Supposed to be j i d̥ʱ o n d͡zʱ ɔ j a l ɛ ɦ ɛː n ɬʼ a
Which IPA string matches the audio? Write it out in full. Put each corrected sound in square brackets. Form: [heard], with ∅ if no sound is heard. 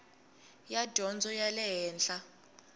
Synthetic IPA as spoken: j [a] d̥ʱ [ɔ] n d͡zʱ ɔ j a l ɛ ɦ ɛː n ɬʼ a